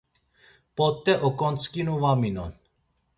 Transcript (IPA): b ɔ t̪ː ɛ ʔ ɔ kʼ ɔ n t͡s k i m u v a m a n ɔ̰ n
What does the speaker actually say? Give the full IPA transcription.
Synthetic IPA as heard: p ɔ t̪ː ɛ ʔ ɔ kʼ ɔ n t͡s k i n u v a m i n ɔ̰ n